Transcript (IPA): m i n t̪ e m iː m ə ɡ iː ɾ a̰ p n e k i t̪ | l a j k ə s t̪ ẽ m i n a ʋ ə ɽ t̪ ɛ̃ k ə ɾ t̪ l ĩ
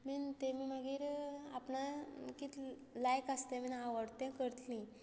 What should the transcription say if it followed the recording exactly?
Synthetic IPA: m i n t̪ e m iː m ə ɡ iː ɾ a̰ p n a k i t̪ | l a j k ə s t̪ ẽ m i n a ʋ ə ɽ t̪ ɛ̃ k ə ɾ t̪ l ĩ